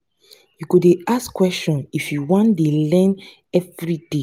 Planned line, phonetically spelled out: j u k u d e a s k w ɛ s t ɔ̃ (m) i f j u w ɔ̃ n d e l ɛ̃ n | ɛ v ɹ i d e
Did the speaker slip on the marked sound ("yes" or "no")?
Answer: yes